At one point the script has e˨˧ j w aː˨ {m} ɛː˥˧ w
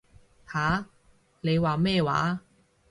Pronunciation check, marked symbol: correct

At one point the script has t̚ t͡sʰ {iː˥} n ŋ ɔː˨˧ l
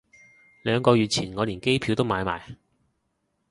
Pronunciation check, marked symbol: incorrect: iː˨˩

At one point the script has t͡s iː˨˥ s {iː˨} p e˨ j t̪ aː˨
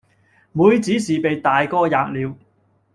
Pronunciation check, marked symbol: correct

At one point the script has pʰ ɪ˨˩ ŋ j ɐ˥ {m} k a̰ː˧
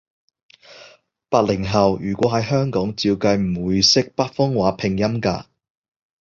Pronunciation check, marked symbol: correct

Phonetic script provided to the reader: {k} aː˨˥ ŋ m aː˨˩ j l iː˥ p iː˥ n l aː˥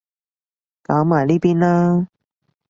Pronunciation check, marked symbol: correct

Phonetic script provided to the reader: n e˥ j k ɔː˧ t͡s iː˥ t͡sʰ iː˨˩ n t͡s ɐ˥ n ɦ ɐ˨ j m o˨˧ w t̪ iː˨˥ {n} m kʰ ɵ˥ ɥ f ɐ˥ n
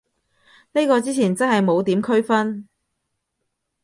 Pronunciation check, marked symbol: incorrect: none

